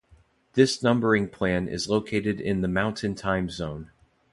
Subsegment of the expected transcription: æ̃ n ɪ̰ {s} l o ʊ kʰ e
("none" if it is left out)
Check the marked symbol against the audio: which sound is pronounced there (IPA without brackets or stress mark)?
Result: z